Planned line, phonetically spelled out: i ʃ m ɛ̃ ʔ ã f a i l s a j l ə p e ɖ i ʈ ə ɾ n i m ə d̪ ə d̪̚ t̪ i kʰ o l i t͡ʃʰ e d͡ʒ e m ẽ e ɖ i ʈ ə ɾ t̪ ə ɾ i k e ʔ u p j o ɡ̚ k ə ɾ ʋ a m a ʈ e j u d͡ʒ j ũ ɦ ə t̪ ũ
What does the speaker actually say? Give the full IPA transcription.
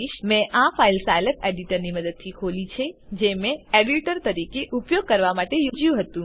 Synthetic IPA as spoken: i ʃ m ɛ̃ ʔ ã f a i l s a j l ə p e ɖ i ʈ ə ɾ n i m ə d̪ ə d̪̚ t̪ʰ i kʰ o l i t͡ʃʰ e d͡ʒ e m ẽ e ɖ i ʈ ə ɾ t̪ ə ɾ i k e ʔ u p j o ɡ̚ k ə ɾ ʋ a m a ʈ e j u d͡ʒ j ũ ɦ ə t̪ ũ